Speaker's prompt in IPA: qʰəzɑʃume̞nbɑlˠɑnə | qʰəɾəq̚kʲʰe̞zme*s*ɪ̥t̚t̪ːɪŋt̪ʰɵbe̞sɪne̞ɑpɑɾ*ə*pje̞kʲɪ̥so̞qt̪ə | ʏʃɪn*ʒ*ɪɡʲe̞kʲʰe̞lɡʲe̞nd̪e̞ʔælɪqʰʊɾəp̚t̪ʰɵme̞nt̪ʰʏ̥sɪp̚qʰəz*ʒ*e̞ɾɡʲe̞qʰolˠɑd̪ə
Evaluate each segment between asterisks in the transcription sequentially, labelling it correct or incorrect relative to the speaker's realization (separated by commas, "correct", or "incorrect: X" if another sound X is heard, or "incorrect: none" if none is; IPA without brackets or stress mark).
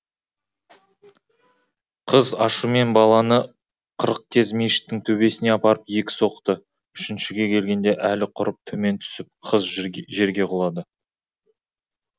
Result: incorrect: ʃ, correct, incorrect: ʃ, correct